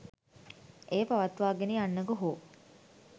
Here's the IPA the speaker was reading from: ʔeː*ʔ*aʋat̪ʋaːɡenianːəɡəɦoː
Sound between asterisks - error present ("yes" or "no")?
yes